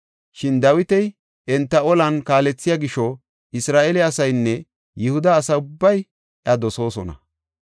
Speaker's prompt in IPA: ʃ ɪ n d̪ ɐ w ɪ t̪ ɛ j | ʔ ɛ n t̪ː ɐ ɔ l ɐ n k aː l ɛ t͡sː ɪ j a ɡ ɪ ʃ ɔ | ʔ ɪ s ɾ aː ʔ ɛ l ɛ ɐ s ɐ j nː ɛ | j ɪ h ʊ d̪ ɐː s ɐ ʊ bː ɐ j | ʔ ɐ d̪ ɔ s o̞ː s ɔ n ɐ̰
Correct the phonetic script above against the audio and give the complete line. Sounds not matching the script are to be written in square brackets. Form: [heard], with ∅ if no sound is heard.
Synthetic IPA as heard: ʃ ɪ n d̪ ɐ w ɪ t̪ ɛ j | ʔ ɛ n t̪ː ɐ ɔ l ɐ n k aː l ɛ t͡sː ɪ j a ɡ ɪ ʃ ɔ | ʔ ɪ s ɾ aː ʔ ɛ l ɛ ɐ s ɐ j nː ɛ | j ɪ h ʊ d̪ ɐː s ɐ ʊ bː ɐ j | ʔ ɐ d̪ ɔ s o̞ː s ɔ n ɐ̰